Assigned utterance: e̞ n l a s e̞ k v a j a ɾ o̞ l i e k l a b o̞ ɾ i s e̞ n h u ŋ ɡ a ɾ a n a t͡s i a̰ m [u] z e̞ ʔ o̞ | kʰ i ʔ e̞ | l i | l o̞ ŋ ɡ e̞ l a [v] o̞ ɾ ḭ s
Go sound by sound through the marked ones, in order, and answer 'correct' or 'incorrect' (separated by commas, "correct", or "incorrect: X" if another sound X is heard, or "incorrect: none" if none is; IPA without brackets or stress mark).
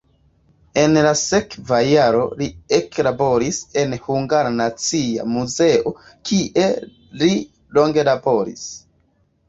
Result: correct, incorrect: b